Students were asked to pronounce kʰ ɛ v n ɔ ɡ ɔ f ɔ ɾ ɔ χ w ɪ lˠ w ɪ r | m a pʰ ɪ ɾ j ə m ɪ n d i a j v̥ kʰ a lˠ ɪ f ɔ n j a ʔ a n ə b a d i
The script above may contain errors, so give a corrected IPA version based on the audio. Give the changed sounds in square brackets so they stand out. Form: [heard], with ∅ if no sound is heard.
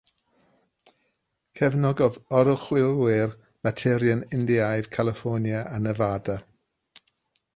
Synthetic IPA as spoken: kʰ ɛ v n ɔ ɡ ɔ [v] ɔ ɾ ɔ χ w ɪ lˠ w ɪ r | m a [tʰ] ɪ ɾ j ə [n] ɪ n d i a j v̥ kʰ a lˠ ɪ f ɔ n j a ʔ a n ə [v] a d [a]